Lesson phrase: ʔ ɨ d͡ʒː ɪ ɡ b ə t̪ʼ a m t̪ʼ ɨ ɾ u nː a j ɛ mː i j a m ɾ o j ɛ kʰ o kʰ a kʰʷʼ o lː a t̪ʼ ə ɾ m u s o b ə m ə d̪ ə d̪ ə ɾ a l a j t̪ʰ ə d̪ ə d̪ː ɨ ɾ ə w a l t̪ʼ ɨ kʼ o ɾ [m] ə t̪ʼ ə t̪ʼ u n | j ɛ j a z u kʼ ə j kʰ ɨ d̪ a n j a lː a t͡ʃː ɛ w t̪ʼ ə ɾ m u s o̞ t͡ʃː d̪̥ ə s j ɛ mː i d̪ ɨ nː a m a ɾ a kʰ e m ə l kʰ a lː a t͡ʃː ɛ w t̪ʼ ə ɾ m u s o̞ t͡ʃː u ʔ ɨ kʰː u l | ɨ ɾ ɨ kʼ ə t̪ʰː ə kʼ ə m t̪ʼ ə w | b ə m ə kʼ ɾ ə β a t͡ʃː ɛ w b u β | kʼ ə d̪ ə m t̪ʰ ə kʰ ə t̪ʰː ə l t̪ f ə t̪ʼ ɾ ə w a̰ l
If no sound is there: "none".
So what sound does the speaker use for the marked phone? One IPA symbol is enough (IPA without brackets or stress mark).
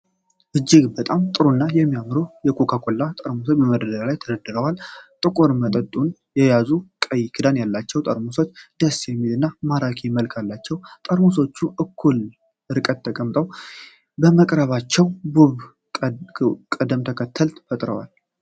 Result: m